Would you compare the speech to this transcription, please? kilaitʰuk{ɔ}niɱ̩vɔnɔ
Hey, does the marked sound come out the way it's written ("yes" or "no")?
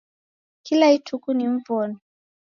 no